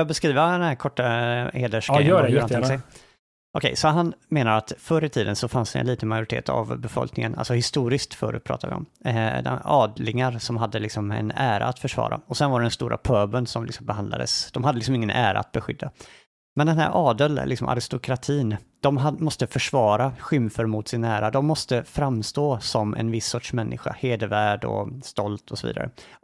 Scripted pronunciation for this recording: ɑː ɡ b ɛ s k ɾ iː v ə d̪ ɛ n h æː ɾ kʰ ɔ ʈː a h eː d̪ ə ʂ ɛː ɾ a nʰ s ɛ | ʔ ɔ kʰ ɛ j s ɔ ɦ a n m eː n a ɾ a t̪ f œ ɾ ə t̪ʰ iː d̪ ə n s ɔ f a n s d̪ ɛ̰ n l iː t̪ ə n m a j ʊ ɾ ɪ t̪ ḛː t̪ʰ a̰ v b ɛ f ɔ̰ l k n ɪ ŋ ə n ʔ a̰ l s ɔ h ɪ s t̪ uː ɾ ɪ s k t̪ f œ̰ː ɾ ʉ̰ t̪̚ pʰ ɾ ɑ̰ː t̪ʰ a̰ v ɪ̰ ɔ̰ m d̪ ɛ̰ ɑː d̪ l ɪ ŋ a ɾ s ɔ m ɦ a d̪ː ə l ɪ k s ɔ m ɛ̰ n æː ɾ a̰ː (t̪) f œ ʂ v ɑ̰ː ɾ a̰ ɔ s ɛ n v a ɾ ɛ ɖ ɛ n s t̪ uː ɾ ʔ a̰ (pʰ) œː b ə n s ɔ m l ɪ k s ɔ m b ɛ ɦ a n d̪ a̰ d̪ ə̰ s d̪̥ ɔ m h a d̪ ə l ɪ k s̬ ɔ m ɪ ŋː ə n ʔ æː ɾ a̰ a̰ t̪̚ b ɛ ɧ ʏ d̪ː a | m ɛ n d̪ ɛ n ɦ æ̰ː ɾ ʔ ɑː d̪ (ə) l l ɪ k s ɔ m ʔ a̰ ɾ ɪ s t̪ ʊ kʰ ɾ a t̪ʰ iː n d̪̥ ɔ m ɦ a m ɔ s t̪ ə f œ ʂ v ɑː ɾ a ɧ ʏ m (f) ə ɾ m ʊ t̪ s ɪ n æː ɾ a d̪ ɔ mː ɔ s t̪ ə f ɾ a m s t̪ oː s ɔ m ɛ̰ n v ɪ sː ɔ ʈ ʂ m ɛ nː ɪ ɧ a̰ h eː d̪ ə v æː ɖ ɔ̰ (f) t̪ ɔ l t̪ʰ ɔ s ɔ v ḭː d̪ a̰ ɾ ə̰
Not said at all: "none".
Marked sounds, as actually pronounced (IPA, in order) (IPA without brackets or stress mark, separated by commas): t̪, pʰ, ə, f, s